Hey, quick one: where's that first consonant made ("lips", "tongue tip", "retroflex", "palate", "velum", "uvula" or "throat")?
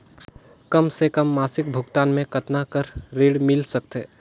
velum